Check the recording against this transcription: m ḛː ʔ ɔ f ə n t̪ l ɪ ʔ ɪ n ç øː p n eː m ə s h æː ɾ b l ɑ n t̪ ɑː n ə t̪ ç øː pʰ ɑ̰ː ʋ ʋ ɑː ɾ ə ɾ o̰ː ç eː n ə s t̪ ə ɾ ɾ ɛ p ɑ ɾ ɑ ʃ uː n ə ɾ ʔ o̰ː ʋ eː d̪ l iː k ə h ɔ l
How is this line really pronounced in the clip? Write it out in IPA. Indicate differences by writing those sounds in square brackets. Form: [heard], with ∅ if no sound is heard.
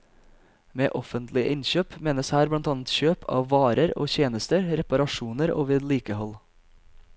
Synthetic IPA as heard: m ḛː ʔ ɔ f ə n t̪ l ɪ ʔ ɪ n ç øː p [m] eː [n] ə s h æː ɾ b l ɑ n t̪ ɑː n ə t̪ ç øː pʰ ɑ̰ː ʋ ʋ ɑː ɾ ə ɾ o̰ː ç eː n ə s t̪ ə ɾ ɾ ɛ p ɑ ɾ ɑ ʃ uː n ə ɾ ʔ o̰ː ʋ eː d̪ l iː k ə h ɔ l

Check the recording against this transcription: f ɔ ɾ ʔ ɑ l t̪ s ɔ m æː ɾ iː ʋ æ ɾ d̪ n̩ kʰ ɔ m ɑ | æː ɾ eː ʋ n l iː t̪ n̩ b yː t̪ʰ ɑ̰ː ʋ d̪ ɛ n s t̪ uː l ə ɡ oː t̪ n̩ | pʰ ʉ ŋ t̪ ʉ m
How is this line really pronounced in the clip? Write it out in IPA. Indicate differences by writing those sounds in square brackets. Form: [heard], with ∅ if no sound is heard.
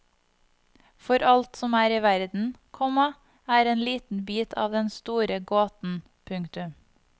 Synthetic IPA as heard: f ɔ ɾ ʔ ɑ l t̪ s ɔ m æː ɾ iː ʋ æ ɾ d̪ n̩ kʰ ɔ m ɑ | æː ɾ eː [∅] n l iː t̪ n̩ b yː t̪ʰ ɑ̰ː ʋ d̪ ɛ n s t̪ uː [ɾ] ə ɡ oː t̪ n̩ | pʰ ʉ ŋ t̪ ʉ m

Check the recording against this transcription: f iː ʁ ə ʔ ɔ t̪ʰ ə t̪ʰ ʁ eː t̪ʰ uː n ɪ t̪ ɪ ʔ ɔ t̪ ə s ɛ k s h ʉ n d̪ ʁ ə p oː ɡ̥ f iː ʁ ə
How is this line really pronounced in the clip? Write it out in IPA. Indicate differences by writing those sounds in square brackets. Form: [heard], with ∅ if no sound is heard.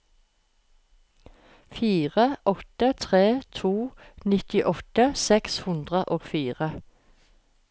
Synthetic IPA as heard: f iː ʁ ə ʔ ɔ [t̪] ə t̪ʰ ʁ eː t̪ʰ uː n ɪ t̪ ɪ ʔ ɔ t̪ ə s ɛ k s h ʉ n d̪ ʁ ə [ʔ] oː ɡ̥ f iː ʁ ə

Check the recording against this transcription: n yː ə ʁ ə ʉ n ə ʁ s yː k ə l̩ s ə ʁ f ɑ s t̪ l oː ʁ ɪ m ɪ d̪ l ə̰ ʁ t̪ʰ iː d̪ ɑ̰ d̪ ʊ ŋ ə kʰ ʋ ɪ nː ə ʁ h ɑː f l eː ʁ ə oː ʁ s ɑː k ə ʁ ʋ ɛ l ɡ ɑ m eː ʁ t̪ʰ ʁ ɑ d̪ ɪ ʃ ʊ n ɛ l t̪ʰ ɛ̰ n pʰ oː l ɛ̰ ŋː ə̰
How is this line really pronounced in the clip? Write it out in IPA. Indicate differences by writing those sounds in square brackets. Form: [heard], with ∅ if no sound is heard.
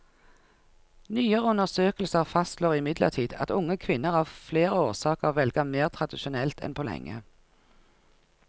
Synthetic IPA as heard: n yː ə ʁ ə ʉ n ə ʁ s [øː] k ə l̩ s ə ʁ f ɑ s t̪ l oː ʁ ɪ m ɪ d̪ l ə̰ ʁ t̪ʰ iː d̪ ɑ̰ [t̪] ʊ ŋ ə kʰ ʋ ɪ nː ə ʁ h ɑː f l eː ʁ ə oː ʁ s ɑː k ə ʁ ʋ ɛ l ɡ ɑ m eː ʁ t̪ʰ ʁ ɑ d̪ ɪ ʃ ʊ n ɛ l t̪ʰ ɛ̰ n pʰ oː l ɛ̰ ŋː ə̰

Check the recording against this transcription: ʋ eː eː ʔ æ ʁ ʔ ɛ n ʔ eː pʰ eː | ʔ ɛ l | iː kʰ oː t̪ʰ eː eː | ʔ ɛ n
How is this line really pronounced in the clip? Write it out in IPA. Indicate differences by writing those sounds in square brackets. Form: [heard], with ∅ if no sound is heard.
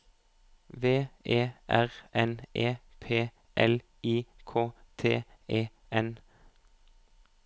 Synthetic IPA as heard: ʋ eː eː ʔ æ ʁ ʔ ɛ n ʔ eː pʰ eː | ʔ ɛ l | iː kʰ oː t̪ʰ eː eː | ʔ ɛ n

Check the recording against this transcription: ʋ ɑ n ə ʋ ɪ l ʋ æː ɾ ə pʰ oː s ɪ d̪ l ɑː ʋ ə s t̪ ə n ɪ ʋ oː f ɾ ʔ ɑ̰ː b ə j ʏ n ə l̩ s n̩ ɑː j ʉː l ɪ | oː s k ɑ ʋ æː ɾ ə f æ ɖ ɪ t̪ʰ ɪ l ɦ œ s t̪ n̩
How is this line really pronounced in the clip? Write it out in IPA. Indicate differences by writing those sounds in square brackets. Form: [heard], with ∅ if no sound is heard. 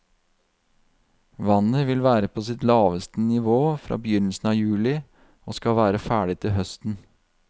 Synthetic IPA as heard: ʋ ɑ n ə ʋ ɪ l ʋ æː ɾ ə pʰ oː s ɪ [t̪] l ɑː ʋ ə s t̪ ə n ɪ ʋ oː f ɾ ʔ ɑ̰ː b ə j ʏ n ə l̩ s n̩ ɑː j ʉː l ɪ | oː s k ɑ ʋ æː ɾ ə f [æː] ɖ ɪ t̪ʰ ɪ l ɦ œ s t̪ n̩

